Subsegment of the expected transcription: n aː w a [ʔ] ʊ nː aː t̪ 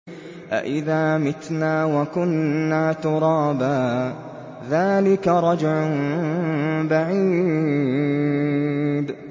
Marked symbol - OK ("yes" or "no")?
no